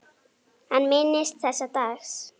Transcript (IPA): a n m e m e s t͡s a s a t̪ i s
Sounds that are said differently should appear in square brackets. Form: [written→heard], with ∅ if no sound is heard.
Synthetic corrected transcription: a n m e [m→n] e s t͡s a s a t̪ [i→a] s

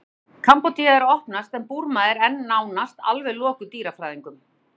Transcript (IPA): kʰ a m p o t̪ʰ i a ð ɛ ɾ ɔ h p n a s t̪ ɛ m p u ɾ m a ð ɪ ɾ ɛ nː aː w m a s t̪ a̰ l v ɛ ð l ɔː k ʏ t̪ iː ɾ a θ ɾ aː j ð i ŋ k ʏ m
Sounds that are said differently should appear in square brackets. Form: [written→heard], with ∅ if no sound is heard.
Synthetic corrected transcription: kʰ a m p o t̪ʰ i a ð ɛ ɾ ɔ h p n a s t̪ ɛ m p u ɾ m a ð ɪ ɾ ɛ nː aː w [m→n] a s t̪ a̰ l v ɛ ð l ɔː k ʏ t̪ iː ɾ a [θ→f] ɾ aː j ð i ŋ k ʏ m

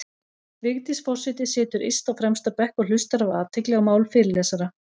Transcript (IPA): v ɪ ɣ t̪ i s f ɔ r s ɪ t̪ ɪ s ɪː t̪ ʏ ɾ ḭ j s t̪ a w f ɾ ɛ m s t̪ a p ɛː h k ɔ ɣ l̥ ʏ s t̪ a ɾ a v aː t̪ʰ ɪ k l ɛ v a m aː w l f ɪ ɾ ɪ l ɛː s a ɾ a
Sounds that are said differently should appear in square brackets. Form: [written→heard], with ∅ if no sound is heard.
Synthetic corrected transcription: v ɪ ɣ t̪ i s f ɔ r s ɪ t̪ ɪ s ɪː t̪ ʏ ɾ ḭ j s t̪ a w f ɾ ɛ m s t̪ a p [ɛː→ɛ] h k ɔ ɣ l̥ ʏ s t̪ a ɾ a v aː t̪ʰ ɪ k l ɛ [v→ɣ] a m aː w l f ɪ ɾ ɪ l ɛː s a ɾ a

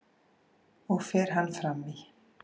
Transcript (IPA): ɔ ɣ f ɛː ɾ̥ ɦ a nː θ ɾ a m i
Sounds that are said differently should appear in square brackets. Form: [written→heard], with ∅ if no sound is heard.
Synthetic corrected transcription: ɔ ɣ f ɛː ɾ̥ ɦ a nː [θ→f] ɾ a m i

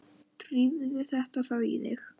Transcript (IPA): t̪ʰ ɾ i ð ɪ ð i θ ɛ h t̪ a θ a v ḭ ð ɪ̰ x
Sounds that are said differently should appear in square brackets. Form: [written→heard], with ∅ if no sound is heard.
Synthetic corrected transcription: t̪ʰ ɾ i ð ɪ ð [i→ɪ] θ ɛ h t̪ a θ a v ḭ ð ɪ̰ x

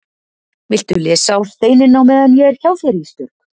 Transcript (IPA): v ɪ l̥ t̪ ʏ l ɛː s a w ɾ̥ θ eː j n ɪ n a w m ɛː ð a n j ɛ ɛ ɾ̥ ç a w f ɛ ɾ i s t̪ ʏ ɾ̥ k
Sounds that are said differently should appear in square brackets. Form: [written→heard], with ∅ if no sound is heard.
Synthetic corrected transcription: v ɪ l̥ t̪ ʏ l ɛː s a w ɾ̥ θ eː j n ɪ n a w m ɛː ð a n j ɛ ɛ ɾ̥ ç a w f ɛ ɾ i s t̪ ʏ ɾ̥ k

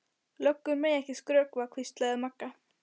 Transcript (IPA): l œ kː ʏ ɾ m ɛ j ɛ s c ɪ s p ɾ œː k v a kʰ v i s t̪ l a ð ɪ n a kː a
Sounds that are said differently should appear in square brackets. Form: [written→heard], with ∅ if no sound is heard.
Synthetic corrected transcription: l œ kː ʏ ɾ m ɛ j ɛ [s→h] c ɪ s [p→k] ɾ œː k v a kʰ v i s t̪ l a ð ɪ [n→m] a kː a

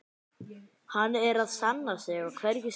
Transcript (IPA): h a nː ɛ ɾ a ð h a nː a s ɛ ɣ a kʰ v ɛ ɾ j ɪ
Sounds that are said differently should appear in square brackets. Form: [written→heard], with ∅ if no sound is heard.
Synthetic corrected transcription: h a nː ɛ ɾ a ð [h→s] a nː a s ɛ ɣ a kʰ v ɛ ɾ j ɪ

